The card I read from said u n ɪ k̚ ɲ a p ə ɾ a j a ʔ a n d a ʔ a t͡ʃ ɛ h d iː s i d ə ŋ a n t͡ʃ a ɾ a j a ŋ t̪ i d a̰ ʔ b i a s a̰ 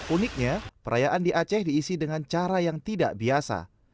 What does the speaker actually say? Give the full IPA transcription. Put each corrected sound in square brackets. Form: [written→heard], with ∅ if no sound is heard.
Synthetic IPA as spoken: u n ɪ k̚ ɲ a p ə ɾ a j a ʔ a n d [a→i] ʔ a t͡ʃ ɛ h d iː s i d ə ŋ a n t͡ʃ a ɾ a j a ŋ t̪ i d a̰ ʔ b i a s a̰